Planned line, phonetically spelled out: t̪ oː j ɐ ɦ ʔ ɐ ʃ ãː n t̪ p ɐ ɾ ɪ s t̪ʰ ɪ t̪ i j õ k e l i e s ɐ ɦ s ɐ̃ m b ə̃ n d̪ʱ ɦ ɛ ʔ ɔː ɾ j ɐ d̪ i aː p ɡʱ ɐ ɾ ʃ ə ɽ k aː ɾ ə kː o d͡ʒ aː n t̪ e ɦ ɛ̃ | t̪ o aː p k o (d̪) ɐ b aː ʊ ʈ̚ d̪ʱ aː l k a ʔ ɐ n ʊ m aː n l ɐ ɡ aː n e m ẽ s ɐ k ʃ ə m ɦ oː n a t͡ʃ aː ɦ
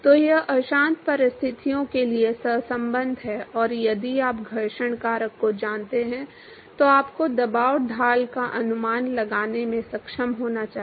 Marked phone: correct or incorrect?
correct